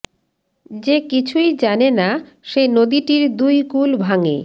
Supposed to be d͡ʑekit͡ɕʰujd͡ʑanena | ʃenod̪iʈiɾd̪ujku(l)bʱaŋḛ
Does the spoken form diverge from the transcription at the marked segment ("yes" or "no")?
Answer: no